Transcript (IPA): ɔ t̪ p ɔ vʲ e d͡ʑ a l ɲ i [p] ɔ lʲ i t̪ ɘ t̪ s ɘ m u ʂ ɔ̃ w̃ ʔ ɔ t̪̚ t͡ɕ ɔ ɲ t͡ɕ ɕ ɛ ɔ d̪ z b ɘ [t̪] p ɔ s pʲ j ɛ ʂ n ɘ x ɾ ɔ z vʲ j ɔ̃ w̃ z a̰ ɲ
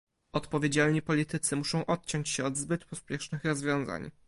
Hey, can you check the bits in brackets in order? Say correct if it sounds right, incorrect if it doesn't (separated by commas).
correct, correct